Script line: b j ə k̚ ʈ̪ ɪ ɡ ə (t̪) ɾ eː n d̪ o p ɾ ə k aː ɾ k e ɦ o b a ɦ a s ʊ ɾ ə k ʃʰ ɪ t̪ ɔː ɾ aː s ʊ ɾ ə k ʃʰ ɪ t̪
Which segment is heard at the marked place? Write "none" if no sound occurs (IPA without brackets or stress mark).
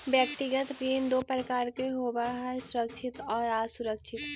t̪